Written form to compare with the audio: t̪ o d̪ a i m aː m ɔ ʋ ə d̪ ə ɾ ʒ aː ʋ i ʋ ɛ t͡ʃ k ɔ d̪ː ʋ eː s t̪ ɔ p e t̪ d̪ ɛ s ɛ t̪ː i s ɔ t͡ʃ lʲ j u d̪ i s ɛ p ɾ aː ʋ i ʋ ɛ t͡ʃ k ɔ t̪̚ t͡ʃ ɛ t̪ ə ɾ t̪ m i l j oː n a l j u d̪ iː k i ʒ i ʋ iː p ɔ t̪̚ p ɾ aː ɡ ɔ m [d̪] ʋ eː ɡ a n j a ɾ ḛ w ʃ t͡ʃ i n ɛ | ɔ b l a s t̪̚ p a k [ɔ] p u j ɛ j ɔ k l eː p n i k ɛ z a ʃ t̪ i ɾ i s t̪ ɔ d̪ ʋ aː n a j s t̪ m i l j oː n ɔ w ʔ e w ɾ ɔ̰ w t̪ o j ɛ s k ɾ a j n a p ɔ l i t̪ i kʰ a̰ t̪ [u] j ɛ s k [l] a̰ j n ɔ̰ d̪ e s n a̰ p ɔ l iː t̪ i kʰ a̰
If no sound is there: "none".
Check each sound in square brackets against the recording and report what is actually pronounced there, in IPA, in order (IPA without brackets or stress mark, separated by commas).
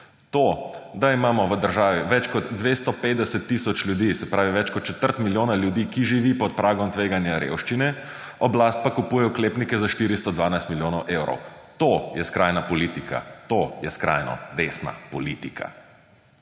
t̪, u, o, ɾ